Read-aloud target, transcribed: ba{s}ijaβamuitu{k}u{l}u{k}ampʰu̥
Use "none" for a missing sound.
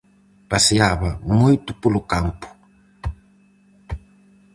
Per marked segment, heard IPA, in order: s, p, l, k

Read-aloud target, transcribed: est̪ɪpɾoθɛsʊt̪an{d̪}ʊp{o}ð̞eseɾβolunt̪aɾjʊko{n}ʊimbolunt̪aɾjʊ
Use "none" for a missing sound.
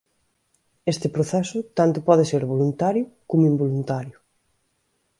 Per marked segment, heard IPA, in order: t̪, ɔ, m

